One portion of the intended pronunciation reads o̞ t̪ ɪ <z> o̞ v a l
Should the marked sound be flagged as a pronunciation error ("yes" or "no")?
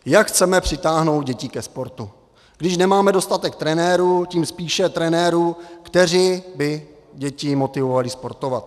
yes